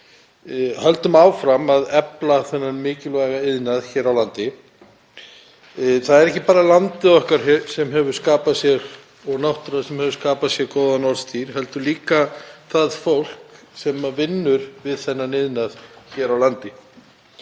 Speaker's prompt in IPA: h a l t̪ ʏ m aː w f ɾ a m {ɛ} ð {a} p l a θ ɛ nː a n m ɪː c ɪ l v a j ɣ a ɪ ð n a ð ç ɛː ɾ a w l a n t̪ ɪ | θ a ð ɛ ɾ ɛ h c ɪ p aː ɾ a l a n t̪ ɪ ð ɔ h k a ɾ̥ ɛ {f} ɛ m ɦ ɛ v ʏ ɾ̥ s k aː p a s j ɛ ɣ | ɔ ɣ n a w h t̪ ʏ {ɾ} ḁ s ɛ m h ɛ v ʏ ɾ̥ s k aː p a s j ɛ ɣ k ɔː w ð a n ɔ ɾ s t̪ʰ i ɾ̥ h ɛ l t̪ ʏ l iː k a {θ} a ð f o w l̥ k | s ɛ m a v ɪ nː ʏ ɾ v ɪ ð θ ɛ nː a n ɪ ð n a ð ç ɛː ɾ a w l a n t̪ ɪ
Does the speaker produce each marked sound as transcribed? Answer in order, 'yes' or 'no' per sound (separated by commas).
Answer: no, no, no, yes, yes